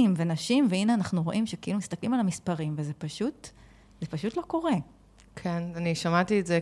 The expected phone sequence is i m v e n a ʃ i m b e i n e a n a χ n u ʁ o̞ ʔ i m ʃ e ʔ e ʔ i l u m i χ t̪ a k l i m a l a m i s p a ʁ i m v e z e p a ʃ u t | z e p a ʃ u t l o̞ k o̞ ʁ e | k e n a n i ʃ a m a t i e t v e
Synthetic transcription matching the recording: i m v e n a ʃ i m v e i n e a n a χ n u ʁ o̞ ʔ i m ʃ e k e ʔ i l u m i s t̪ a k l i m a l a m i s p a ʁ i m v e z e p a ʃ u t | z e p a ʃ u t l o̞ k o̞ ʁ e | kʰ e n a n i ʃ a m a t i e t z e